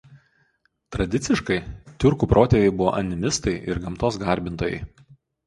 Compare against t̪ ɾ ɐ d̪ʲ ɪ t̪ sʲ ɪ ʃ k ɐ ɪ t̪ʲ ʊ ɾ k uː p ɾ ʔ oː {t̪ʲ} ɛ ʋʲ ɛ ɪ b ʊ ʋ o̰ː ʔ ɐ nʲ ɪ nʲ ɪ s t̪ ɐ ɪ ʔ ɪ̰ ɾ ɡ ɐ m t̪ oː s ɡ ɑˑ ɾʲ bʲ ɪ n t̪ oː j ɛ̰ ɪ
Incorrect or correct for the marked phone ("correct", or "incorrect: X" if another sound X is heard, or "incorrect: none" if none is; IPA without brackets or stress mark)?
correct